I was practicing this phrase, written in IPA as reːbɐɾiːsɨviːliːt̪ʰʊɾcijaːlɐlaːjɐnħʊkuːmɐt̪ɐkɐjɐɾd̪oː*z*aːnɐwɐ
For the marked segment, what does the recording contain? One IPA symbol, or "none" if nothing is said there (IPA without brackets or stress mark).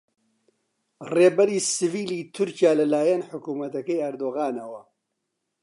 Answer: ɣ